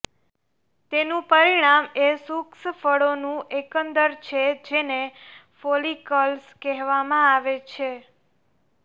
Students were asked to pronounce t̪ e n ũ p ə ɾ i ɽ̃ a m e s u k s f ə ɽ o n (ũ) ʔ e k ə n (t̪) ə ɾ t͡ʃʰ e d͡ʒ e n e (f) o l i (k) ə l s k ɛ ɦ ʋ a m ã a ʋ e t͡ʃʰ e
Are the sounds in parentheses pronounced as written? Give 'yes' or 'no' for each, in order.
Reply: yes, no, yes, yes

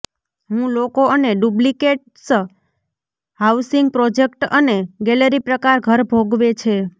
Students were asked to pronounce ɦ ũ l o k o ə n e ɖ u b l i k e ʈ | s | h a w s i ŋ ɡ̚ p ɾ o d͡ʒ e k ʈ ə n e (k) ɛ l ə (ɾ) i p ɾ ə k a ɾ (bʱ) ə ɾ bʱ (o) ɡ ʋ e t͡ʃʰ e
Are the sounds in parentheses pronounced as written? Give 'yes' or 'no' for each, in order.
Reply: no, yes, no, yes

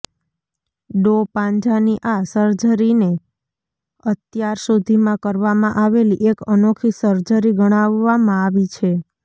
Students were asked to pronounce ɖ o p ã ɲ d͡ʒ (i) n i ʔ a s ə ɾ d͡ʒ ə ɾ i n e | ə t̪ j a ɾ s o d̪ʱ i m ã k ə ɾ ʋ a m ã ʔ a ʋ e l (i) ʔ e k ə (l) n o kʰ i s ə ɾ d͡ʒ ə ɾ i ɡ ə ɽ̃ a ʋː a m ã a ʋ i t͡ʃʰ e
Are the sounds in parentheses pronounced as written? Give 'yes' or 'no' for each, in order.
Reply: no, yes, no

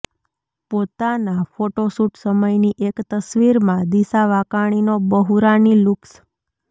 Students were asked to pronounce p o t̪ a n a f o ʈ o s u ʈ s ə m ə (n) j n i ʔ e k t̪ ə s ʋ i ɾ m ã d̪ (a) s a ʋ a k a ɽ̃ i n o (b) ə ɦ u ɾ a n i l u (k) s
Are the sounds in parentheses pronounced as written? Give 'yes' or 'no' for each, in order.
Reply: no, no, yes, yes

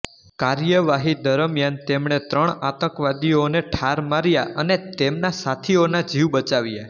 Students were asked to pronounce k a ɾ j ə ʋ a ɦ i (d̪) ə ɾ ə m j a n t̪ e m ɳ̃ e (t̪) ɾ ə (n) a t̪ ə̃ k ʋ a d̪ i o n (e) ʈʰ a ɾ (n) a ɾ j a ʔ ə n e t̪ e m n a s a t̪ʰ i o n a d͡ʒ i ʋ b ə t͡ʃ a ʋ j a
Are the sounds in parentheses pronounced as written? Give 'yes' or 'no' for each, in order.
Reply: yes, yes, no, yes, no

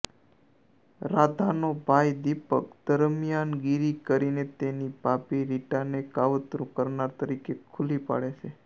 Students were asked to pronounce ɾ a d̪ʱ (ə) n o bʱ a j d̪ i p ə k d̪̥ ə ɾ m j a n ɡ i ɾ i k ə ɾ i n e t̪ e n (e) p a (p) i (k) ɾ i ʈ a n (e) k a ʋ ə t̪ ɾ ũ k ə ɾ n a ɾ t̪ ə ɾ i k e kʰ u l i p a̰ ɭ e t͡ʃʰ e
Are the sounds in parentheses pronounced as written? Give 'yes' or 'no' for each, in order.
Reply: no, no, yes, no, yes

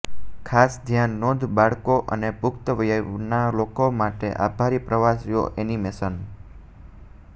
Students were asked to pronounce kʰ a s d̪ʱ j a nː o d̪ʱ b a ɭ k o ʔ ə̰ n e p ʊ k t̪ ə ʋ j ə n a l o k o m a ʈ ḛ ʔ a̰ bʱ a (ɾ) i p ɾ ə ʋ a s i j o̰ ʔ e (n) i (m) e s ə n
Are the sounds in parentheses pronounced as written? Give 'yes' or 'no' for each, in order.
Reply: yes, yes, yes

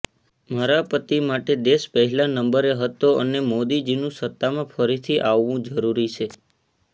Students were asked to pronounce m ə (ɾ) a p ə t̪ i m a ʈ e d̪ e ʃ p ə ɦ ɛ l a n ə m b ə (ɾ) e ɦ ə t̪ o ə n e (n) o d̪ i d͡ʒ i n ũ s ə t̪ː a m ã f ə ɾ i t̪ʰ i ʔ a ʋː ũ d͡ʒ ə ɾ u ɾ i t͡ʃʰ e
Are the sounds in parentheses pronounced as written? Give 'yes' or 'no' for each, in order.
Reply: yes, yes, no

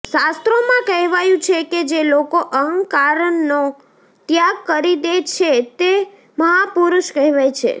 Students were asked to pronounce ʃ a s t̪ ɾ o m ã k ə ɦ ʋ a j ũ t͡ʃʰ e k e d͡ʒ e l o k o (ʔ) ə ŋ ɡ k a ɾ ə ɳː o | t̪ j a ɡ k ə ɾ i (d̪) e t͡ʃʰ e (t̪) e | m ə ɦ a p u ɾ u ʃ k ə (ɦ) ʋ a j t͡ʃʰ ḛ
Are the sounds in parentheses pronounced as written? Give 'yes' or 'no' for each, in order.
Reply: yes, yes, yes, yes

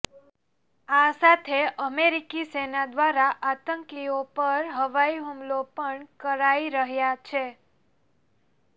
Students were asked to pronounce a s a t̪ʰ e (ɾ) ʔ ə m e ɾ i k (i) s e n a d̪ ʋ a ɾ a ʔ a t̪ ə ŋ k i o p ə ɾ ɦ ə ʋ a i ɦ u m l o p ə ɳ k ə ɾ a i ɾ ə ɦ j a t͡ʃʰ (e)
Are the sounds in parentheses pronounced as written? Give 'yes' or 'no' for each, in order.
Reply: no, yes, yes

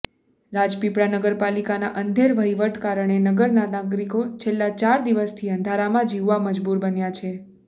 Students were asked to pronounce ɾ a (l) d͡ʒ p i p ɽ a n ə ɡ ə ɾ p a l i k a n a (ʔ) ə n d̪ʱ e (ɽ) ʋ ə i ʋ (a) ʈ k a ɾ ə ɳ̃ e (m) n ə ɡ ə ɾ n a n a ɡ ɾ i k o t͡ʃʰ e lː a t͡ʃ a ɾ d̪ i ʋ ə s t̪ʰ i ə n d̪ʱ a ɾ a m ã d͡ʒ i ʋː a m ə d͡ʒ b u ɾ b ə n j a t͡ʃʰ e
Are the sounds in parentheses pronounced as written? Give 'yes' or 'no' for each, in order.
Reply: no, yes, no, no, no

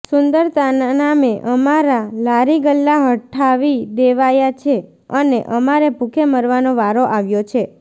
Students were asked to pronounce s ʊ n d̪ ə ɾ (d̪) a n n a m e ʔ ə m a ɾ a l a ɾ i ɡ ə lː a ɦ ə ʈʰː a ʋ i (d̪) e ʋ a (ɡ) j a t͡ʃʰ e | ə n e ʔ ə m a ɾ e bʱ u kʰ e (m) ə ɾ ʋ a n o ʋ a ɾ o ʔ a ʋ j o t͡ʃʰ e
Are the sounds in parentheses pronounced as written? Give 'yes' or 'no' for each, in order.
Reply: no, yes, no, yes

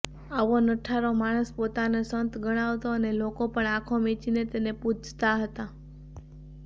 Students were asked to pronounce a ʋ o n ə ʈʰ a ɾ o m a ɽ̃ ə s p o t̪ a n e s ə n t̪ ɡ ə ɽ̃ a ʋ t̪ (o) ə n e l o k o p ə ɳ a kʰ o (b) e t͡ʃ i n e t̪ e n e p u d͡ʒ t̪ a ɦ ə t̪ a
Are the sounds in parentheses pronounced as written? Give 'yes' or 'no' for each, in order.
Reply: yes, no

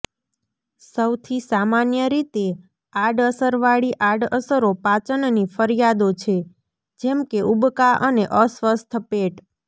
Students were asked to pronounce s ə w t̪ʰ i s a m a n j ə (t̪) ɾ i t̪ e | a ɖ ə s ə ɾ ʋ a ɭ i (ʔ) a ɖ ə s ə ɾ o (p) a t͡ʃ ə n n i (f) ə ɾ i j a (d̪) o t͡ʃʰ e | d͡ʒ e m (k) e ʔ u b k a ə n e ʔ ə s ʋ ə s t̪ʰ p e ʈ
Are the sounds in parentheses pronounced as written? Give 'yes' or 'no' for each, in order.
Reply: no, yes, yes, yes, yes, yes

